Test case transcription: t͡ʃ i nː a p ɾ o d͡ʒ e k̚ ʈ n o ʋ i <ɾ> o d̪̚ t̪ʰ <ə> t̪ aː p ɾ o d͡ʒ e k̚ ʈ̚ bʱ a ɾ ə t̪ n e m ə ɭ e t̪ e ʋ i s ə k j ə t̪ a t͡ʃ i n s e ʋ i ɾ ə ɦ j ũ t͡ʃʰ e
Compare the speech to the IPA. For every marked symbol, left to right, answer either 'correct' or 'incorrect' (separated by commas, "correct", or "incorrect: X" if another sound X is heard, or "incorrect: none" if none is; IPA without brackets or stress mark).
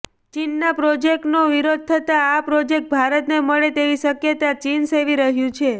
correct, correct